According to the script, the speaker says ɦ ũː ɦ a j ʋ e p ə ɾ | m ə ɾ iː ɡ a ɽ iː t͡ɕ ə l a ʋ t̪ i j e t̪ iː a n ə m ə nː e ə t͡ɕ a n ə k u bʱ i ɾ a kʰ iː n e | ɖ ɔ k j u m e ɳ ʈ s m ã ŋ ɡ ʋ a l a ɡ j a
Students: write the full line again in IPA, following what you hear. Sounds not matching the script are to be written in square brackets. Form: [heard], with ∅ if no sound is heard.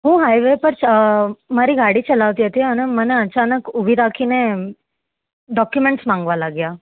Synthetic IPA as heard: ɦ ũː ɦ a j ʋ e p ə ɾ | m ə ɾ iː ɡ a ɽ iː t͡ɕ ə l a ʋ t̪ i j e t̪ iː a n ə m ə [n] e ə t͡ɕ a n ə k u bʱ i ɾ a kʰ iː n e | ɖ ɔ k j u m e ɳ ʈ s m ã ŋ ɡ ʋ a l a ɡ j a